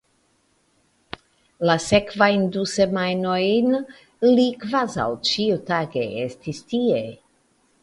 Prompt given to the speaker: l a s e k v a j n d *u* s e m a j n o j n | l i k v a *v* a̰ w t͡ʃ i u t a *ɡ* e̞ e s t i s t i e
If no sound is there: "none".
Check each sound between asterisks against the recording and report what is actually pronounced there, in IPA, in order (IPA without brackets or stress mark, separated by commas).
u, z, ɡ